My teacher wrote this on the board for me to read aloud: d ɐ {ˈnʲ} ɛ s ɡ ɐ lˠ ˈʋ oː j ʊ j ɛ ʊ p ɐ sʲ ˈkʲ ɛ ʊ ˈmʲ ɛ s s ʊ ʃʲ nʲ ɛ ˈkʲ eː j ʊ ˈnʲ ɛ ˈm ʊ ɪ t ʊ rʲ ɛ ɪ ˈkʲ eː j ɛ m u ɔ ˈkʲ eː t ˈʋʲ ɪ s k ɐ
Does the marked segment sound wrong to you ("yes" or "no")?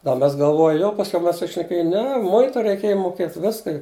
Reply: yes